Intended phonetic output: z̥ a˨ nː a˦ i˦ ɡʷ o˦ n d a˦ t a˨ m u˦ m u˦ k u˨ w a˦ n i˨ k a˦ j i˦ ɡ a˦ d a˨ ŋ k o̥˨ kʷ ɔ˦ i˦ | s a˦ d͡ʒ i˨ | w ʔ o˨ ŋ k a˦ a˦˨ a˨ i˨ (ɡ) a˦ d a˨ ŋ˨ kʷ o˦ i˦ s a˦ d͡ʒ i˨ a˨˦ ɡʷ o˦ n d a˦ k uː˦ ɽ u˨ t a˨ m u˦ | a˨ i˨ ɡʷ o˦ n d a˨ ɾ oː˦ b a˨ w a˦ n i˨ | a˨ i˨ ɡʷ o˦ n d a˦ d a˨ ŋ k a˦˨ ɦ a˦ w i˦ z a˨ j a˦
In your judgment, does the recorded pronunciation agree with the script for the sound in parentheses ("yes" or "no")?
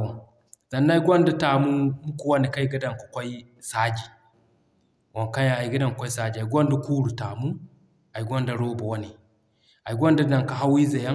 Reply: yes